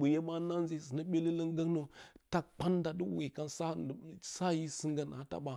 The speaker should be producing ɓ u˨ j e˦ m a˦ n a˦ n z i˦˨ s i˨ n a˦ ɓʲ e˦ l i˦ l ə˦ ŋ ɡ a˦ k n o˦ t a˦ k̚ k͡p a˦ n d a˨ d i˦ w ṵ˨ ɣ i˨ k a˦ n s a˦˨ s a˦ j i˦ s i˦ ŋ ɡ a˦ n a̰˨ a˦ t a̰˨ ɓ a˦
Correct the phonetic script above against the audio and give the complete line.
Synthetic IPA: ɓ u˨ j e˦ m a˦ n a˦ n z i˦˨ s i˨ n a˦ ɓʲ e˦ l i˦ l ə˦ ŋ ɡ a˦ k n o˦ t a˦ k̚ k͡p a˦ n d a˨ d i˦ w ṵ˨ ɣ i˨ k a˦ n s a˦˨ s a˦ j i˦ s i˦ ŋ ɡ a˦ n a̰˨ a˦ t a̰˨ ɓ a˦